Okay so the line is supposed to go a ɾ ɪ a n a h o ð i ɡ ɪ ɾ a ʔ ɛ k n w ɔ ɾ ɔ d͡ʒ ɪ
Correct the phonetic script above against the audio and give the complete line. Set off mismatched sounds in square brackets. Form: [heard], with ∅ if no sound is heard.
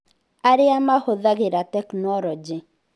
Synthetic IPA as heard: a ɾ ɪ a [m] a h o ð [a] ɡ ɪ ɾ a [t] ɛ k n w ɔ ɾ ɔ d͡ʒ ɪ